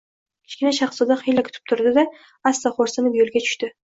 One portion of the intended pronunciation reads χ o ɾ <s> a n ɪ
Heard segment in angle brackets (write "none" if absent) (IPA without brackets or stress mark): s